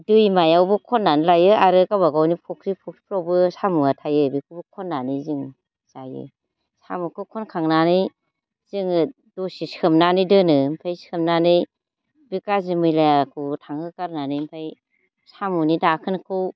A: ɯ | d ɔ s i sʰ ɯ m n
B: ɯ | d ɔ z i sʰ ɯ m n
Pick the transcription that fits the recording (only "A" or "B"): A